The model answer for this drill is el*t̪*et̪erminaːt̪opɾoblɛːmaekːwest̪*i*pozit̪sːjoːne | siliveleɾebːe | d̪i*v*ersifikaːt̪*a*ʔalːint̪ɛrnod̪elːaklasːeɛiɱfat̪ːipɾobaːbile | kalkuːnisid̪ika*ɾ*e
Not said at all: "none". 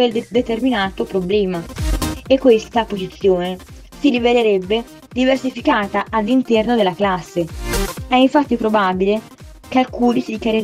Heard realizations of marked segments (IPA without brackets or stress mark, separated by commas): d̪, a, v, a, ɾ